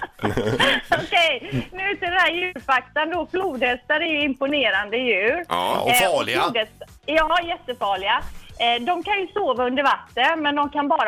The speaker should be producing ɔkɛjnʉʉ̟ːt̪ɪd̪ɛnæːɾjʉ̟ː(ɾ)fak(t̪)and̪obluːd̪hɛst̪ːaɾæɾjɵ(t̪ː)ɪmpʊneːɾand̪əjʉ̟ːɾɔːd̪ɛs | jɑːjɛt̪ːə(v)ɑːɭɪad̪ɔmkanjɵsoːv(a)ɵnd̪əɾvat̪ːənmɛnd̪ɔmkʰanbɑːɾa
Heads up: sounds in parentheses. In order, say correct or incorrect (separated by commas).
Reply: correct, correct, incorrect, incorrect, correct